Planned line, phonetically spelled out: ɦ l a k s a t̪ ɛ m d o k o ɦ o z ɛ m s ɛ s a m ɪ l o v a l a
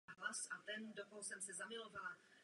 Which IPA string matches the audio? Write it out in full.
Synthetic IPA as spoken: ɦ l a s a t̪ ɛ n d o k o ɦ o s ɛ m s ɛ z a m ɪ l o v a l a